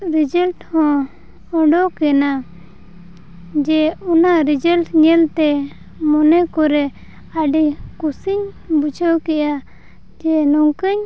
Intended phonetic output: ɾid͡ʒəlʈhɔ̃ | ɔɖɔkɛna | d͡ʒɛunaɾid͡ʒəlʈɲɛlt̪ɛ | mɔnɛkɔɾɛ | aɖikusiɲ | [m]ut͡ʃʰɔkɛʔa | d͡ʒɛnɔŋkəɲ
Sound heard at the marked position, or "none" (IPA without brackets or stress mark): b